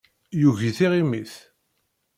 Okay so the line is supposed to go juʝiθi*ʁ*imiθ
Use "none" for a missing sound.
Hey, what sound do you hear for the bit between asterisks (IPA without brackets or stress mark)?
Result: ʁ